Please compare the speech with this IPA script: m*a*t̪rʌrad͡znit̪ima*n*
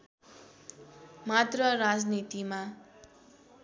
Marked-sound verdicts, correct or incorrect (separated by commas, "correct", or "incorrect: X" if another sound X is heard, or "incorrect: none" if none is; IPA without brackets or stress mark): correct, incorrect: none